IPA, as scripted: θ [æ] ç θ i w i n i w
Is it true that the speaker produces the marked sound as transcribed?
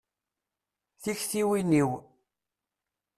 no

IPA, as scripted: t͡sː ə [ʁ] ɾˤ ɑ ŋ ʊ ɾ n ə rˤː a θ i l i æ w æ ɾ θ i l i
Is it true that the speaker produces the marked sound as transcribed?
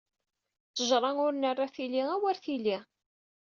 no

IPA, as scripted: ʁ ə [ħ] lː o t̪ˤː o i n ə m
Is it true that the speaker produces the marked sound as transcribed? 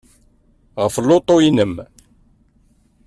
no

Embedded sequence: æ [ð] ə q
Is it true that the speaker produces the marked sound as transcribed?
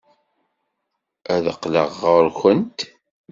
yes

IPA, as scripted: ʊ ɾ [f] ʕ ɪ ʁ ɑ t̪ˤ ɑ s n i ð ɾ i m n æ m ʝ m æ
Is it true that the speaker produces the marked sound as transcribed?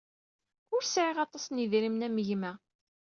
no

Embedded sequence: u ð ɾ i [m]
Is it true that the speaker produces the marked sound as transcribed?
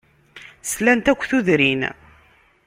no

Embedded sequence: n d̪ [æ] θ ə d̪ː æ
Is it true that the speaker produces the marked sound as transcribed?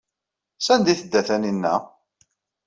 no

